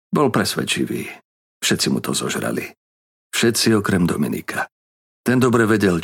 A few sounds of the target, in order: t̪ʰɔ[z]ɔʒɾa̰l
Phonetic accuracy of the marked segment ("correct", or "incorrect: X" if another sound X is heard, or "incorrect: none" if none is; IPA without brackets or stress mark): correct